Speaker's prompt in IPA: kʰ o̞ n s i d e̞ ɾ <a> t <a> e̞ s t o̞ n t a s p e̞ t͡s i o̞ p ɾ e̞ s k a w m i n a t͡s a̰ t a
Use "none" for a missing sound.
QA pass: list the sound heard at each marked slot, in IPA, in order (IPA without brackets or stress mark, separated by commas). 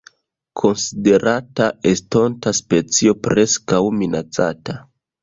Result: a, a